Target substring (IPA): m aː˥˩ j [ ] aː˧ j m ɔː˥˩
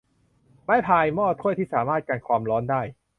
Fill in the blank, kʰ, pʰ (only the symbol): pʰ